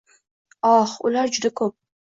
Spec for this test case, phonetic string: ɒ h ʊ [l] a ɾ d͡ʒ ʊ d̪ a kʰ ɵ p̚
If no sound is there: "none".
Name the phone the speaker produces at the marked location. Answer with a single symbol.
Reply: l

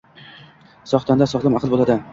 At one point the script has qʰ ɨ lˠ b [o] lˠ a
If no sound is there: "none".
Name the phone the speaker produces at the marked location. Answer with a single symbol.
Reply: o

